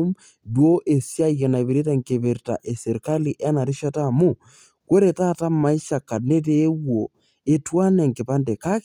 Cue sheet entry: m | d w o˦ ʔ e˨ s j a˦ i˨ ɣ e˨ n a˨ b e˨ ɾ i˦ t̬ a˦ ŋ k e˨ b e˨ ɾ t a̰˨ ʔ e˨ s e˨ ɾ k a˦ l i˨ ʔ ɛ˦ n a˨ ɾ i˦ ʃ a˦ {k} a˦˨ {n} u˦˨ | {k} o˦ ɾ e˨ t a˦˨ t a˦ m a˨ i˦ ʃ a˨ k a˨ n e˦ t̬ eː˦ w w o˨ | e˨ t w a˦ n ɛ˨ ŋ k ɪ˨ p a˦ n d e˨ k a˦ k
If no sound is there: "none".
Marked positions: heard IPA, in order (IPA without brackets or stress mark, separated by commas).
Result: t, m, k